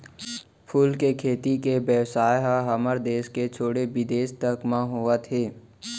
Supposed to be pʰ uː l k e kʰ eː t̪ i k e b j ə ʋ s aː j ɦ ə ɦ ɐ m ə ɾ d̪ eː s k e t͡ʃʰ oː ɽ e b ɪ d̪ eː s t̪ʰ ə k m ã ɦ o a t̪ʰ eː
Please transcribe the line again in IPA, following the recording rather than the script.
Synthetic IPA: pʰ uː l k e kʰ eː t̪ i k e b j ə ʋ s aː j ɦ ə ɦ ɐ m ə ɾ d̪ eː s k e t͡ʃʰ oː ɽ e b ɪ d̪ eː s t̪ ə k m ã ɦ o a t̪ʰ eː